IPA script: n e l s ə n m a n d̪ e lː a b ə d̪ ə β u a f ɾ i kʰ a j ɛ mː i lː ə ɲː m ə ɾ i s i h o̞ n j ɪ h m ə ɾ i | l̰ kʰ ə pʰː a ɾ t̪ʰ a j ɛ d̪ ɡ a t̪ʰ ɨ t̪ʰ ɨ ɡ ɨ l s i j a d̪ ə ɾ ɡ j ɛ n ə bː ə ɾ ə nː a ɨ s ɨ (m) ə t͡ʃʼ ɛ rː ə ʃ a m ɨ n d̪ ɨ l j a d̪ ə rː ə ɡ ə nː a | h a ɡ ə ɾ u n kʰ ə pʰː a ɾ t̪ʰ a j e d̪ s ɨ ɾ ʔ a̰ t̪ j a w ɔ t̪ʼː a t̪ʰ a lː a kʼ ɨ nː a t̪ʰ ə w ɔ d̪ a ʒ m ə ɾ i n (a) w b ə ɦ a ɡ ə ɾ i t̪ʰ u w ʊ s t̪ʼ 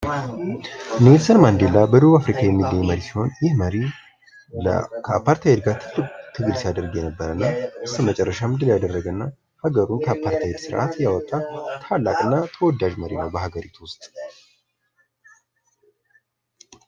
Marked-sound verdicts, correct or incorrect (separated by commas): correct, incorrect